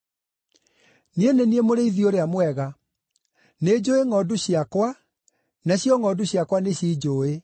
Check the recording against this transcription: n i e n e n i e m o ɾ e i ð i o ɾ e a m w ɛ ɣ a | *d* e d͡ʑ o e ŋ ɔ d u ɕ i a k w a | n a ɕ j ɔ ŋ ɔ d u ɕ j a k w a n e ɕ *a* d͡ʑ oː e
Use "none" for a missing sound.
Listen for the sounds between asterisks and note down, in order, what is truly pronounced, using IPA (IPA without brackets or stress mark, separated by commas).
n, i